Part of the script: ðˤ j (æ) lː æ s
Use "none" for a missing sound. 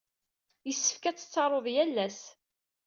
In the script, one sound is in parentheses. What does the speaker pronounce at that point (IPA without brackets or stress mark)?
æ